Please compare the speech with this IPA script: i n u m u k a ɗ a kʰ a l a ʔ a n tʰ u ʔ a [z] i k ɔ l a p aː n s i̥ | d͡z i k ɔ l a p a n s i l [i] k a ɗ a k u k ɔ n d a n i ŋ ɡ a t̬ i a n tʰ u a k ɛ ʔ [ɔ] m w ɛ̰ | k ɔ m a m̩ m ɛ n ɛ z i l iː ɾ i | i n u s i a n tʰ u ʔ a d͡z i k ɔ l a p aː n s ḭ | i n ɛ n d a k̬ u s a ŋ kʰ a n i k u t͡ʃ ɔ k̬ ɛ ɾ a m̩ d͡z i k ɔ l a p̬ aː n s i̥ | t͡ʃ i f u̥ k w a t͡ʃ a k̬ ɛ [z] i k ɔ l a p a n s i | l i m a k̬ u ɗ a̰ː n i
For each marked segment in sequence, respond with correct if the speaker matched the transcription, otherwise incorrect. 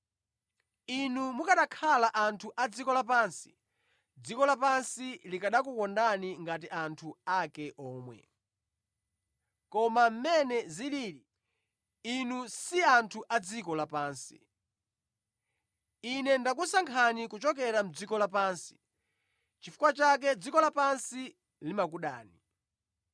incorrect, correct, incorrect, incorrect

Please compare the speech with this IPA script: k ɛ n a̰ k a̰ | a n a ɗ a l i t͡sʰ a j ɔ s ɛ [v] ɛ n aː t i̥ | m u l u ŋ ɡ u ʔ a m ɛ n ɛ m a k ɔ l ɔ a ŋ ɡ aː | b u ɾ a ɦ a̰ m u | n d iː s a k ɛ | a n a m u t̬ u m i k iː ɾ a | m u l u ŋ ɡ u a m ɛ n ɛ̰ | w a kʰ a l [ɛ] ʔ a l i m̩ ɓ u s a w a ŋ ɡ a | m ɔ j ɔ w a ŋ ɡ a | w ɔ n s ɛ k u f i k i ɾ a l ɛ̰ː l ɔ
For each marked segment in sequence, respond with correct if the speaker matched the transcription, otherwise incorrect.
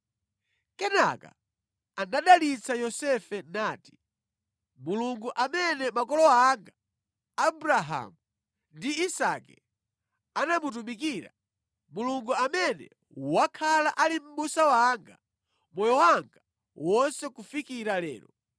incorrect, incorrect

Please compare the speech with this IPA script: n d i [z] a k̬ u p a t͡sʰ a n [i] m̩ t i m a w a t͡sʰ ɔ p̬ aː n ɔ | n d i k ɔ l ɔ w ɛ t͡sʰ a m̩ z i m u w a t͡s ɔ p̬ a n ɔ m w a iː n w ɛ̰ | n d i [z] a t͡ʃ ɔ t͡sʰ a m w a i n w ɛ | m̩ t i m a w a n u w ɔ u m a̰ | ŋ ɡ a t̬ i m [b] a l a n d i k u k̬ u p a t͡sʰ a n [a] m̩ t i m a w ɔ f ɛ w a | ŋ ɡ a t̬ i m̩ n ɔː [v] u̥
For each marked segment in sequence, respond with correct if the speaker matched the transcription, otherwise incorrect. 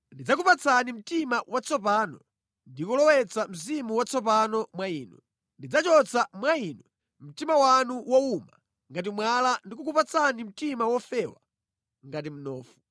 incorrect, correct, incorrect, incorrect, incorrect, incorrect

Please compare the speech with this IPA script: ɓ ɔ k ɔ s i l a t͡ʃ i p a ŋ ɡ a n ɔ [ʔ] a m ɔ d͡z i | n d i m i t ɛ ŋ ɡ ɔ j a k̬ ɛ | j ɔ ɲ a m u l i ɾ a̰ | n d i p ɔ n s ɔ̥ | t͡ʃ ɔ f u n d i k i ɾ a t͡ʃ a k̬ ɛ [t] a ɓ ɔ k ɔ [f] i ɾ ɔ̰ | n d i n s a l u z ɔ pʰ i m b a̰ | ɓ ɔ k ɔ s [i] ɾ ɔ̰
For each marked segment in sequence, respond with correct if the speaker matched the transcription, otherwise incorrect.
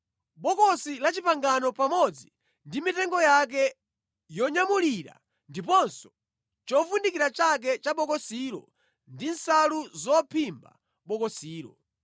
incorrect, incorrect, incorrect, incorrect

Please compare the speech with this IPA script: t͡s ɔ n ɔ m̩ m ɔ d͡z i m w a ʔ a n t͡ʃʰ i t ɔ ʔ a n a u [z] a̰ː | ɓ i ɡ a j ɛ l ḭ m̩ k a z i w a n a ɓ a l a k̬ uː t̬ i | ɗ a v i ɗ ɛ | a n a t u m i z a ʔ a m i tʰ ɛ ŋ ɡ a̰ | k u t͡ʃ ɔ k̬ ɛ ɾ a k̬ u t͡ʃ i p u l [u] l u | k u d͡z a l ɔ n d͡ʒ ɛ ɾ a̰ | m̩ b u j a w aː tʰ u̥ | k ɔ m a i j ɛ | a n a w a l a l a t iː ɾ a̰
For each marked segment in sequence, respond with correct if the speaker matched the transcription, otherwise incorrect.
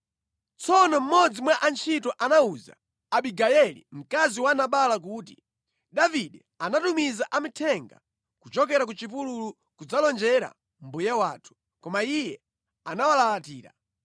correct, correct

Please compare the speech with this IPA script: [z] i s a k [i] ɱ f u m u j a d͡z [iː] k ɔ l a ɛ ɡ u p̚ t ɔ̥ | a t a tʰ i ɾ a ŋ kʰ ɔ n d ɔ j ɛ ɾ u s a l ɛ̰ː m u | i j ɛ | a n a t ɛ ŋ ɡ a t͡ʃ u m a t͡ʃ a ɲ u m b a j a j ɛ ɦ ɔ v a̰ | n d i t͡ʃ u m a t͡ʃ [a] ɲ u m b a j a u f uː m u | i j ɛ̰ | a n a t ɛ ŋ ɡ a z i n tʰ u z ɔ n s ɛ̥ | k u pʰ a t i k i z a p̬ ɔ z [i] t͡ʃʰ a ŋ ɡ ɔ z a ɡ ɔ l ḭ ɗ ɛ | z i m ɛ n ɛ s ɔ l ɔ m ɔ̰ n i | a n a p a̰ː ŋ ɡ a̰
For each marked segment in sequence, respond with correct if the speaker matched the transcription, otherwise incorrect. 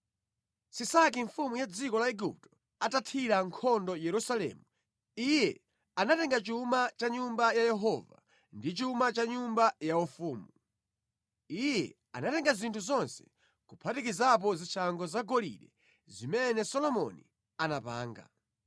incorrect, correct, incorrect, correct, correct

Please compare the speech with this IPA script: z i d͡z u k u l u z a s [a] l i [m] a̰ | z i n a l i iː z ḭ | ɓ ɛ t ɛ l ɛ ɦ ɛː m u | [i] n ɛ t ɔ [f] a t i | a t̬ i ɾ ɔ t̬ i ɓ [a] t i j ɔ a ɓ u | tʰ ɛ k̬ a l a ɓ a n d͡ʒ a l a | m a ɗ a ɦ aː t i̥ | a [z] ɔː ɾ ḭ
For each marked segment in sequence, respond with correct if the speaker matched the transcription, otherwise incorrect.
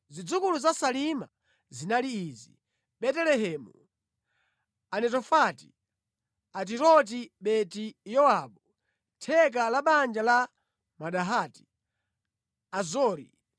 correct, correct, incorrect, correct, incorrect, correct

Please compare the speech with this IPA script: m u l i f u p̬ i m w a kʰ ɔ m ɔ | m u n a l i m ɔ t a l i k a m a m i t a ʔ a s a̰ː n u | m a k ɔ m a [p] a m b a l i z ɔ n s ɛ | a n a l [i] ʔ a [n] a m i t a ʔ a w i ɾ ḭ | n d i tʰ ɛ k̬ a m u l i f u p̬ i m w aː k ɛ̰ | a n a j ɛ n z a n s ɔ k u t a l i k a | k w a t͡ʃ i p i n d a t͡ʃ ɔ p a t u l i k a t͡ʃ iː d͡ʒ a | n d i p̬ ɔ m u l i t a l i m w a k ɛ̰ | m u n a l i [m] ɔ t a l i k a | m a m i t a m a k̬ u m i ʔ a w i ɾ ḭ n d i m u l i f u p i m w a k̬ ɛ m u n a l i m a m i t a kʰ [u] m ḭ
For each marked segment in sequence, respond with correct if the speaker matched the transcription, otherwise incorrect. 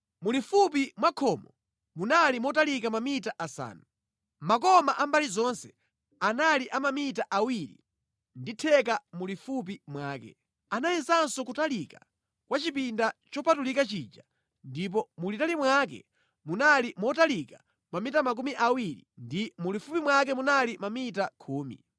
incorrect, correct, incorrect, correct, incorrect

